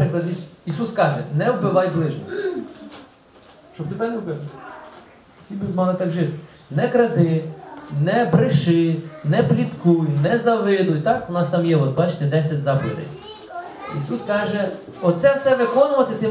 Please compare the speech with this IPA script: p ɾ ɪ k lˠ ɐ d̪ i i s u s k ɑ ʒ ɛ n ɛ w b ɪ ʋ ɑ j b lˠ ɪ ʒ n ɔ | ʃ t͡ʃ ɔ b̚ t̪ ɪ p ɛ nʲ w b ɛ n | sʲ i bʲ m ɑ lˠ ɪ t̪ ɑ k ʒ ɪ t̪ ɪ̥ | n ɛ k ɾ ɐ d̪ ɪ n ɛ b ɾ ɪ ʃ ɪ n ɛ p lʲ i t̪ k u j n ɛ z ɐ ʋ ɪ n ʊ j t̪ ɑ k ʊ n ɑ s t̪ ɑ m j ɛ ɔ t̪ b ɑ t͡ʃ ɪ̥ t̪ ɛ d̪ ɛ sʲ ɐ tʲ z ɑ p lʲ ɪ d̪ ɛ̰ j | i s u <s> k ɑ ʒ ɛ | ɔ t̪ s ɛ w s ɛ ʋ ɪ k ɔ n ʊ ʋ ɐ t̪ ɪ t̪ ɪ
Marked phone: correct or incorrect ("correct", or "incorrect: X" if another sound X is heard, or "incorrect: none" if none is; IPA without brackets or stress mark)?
correct